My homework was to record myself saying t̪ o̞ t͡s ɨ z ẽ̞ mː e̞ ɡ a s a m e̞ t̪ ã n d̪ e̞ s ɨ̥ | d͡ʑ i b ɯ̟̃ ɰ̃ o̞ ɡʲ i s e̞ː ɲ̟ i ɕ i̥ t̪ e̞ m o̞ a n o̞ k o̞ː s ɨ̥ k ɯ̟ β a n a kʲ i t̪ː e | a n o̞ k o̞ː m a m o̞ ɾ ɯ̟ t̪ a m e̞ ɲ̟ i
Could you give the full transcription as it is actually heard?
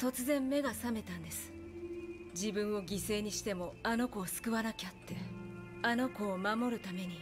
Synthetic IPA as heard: t̪ o̞ t͡s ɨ z ẽ̞ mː e̞ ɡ a s a m e̞ t̪ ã n d̪ e̞ s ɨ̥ | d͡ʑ i b ɯ̟̃ ɰ̃ o̞ ɡʲ i s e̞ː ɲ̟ i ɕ i̥ t̪ e̞ m o̞ a n o̞ k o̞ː s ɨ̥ k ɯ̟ β a n a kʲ a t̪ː e | a n o̞ k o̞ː m a m o̞ ɾ ɯ̟ t̪ a m e̞ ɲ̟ i